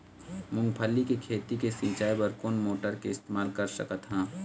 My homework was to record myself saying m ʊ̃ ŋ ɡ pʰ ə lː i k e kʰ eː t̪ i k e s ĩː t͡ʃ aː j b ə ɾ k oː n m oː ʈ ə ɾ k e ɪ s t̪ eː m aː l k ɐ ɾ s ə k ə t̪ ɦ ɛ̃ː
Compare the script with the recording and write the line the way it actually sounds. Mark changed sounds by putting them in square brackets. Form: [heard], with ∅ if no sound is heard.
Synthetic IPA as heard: m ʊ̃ ŋ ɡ pʰ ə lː i k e kʰ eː t̪ i k e s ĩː t͡ʃ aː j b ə ɾ k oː n m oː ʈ ə ɾ k e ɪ s t̪ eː m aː l k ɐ ɾ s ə k ə t̪ ɦ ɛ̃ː